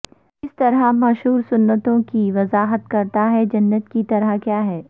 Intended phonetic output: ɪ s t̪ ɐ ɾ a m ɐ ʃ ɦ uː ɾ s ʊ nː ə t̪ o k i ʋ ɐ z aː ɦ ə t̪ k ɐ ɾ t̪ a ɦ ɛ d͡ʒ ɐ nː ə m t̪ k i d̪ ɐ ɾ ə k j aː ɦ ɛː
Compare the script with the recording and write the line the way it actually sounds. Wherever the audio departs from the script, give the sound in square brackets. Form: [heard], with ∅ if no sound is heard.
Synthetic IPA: ɪ s t̪ ɐ ɾ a m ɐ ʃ ɦ uː ɾ s ʊ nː ə t̪ [õ] k i ʋ ɐ z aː ɦ ə t̪ k ɐ ɾ t̪ a ɦ ɛ d͡ʒ ɐ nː ə [∅] t̪ k i [t̪] ɐ ɾ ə k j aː ɦ ɛː